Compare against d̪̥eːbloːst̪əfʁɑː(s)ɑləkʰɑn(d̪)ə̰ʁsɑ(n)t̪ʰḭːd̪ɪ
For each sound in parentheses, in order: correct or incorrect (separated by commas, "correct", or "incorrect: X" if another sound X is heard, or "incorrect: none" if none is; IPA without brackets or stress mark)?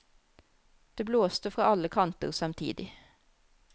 incorrect: none, incorrect: t̪, incorrect: m